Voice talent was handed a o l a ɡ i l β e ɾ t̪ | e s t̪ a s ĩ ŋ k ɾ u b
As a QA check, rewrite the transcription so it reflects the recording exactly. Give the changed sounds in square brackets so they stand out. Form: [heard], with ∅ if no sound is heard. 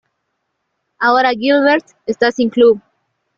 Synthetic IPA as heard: a o [ɾ] a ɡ i l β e ɾ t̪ | e s t̪ a s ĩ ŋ k [l] u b